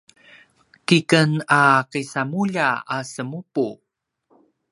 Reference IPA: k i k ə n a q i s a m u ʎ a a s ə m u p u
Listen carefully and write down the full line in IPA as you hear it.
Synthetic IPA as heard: k i k ə n a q i s a m u ʎ a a s ə m u p u